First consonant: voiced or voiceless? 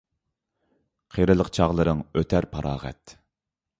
voiceless